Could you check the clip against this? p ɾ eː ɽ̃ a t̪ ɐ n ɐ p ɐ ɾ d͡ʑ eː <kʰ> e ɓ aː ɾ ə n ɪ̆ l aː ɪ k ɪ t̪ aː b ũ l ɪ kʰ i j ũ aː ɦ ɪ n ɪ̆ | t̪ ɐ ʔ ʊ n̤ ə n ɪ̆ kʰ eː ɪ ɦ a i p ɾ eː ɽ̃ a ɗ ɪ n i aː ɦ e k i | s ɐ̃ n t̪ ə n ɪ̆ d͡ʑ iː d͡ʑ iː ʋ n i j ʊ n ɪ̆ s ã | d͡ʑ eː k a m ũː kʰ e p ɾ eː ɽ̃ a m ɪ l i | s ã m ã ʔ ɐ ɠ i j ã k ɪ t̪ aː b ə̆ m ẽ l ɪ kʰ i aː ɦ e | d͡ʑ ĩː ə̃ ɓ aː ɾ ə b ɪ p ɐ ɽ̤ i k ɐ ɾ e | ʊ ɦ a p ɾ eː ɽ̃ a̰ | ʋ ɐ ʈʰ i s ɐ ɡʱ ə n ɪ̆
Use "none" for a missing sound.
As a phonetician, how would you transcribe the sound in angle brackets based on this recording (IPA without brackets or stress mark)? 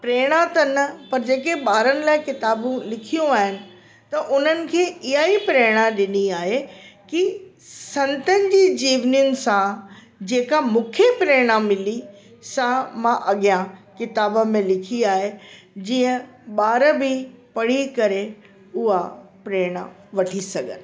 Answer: k